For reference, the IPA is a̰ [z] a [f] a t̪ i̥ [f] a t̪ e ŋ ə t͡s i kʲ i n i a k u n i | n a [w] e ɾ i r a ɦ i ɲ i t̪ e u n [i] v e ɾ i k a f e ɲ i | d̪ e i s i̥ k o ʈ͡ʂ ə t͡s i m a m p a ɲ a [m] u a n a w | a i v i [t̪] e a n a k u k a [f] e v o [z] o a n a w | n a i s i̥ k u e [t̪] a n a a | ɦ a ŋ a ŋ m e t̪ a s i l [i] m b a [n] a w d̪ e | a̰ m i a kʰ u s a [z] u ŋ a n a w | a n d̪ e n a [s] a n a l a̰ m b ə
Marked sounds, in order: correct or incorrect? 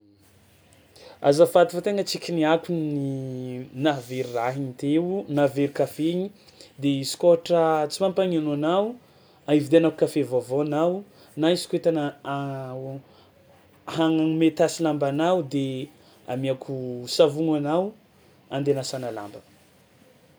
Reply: correct, correct, correct, incorrect: v, incorrect: a, incorrect: n, incorrect: d̪, correct, incorrect: v, correct, incorrect: a, correct, incorrect: v, correct

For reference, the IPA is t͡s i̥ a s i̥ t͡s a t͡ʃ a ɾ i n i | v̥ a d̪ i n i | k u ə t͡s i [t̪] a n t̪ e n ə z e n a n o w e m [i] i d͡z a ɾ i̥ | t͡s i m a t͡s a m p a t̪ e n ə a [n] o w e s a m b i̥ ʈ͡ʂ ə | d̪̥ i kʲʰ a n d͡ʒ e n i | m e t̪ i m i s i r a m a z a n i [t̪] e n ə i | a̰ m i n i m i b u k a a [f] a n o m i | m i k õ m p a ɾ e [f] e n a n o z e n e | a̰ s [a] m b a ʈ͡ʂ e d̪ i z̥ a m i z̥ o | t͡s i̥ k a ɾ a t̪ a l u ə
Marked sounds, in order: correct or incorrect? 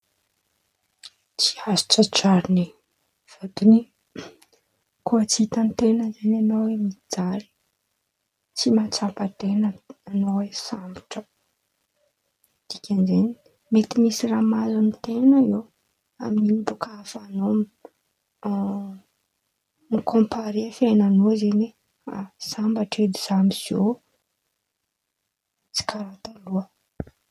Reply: correct, correct, correct, correct, correct, correct, correct

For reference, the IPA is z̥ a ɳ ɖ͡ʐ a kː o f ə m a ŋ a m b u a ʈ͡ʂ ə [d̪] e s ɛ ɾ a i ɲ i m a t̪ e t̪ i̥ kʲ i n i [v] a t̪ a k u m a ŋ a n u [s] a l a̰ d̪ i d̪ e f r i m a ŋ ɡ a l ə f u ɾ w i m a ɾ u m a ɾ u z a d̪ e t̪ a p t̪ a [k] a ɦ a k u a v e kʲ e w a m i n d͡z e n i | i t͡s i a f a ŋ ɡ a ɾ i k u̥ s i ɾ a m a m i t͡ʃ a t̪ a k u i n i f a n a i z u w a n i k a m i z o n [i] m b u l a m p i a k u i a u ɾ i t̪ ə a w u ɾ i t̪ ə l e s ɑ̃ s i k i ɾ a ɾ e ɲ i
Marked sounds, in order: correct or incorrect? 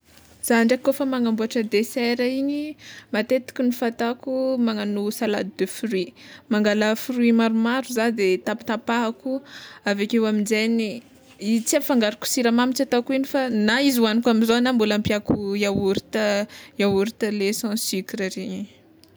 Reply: correct, incorrect: f, correct, incorrect: p, incorrect: a

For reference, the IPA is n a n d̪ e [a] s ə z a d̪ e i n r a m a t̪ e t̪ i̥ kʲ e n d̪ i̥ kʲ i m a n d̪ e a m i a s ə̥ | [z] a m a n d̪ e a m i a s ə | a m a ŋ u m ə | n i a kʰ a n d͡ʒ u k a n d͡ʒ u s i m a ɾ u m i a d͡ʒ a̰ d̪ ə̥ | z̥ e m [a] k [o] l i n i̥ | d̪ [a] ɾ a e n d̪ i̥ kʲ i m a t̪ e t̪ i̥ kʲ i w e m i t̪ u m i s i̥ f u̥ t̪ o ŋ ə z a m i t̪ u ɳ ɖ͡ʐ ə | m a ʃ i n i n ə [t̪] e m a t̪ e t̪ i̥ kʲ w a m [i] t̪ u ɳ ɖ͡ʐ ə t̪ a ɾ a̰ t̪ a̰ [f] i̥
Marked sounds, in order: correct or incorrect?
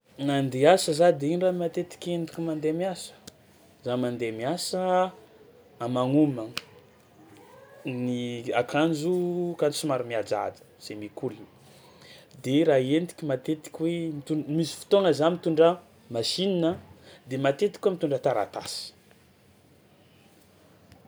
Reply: correct, correct, incorrect: i, incorrect: u, incorrect: e, incorrect: d̪, correct, incorrect: s

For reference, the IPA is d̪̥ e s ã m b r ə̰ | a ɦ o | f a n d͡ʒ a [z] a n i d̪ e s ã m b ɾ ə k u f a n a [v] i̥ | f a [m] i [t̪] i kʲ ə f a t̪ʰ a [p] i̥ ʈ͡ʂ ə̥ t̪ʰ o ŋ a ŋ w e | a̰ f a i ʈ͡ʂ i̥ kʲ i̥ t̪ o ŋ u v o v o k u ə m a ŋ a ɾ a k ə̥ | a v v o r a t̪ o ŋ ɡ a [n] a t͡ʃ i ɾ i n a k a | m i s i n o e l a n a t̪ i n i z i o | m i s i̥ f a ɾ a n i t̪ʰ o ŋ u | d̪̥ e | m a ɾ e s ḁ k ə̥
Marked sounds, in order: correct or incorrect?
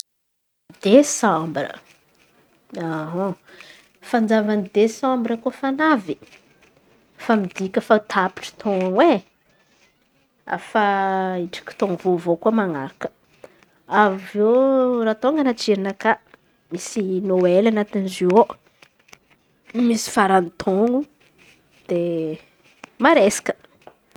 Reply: incorrect: v, correct, correct, incorrect: d̪, correct, correct

